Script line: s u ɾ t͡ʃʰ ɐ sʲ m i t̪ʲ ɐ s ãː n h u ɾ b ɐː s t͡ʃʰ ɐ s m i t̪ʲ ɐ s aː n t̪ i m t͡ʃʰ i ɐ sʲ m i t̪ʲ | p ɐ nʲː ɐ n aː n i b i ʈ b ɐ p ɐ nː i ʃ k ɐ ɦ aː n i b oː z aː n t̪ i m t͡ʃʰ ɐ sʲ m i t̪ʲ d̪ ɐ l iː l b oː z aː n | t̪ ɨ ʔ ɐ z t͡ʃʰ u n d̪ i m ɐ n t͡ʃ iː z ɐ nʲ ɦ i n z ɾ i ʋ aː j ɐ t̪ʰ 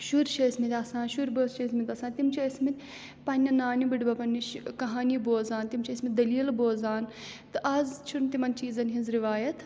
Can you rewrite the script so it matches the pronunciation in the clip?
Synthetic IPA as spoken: ʃ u ɾ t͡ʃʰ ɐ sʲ m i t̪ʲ ɐ s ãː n ʃ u ɾ b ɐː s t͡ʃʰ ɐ s m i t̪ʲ ɐ s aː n t̪ i m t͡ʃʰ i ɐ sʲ m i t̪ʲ | p ɐ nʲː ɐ n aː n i b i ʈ b ɐ p ɐ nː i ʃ k ɐ ɦ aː n i b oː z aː n t̪ i m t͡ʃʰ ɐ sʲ m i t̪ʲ d̪ ɐ l iː l b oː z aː n | t̪ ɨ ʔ ɐ z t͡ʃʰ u n t̪ i m ɐ n t͡ʃ iː z ɐ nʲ ɦ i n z ɾ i ʋ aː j ɐ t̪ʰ